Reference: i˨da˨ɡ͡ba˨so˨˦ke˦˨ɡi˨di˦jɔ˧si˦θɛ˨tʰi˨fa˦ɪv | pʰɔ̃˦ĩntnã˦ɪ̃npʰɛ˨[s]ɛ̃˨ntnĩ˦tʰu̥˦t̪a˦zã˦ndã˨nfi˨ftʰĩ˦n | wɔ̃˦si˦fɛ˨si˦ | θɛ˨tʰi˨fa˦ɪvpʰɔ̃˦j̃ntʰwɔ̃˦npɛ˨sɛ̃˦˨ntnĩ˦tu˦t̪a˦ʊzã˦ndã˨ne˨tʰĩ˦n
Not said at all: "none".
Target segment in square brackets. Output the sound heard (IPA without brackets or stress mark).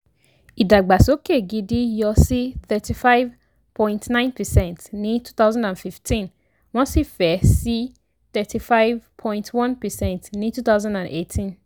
s